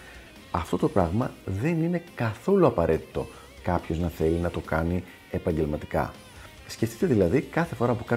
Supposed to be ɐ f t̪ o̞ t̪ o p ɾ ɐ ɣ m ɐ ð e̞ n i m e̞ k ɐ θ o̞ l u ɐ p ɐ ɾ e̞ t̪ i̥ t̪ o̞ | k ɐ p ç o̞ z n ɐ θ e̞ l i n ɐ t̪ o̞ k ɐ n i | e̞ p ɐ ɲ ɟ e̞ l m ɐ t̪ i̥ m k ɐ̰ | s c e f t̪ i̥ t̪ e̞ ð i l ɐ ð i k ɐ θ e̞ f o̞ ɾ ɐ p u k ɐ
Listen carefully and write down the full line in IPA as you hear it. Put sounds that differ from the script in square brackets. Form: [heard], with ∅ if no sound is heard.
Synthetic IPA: ɐ f t̪ o̞ t̪ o p ɾ ɐ ɣ m ɐ ð e̞ n i [n] e̞ k ɐ θ o̞ l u ɐ p ɐ ɾ e̞ t̪ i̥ t̪ o̞ | k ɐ p ç o̞ z n ɐ θ e̞ l i n ɐ t̪ o̞ k ɐ n i | e̞ p ɐ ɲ ɟ e̞ l m ɐ t̪ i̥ [∅] k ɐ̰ | s c e f t̪ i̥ t̪ e̞ ð i l ɐ ð i k ɐ θ e̞ f o̞ ɾ ɐ p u k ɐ